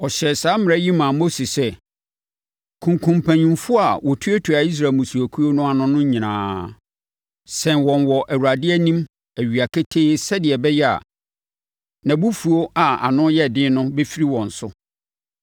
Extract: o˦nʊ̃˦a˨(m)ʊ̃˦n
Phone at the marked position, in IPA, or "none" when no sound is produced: n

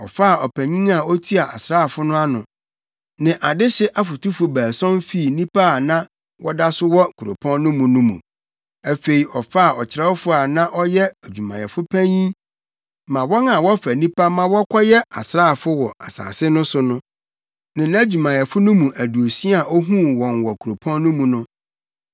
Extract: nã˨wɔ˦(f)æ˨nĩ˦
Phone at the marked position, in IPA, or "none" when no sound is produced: f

